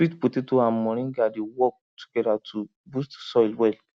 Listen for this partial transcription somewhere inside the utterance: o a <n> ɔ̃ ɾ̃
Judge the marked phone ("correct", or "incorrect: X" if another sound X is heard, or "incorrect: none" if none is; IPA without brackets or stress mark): incorrect: m